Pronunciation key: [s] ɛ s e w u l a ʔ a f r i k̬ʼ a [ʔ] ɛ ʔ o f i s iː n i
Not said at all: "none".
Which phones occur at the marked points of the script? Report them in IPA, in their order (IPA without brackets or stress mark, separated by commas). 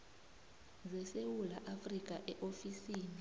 z, ʔ